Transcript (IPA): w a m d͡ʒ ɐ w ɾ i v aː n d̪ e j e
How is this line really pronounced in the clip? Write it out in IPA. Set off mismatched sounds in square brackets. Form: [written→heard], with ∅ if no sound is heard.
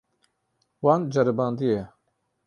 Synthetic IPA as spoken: w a [m→n] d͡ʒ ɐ [w→∅] ɾ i [v→b] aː n d̪ [e→i] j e